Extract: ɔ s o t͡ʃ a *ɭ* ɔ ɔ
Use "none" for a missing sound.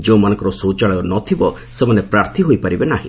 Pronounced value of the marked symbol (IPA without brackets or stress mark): ɭ